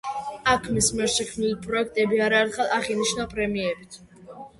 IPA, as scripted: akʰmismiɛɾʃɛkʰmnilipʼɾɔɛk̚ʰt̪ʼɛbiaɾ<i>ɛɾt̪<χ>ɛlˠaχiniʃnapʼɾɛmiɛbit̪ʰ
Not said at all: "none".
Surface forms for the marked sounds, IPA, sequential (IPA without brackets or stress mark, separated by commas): a, χ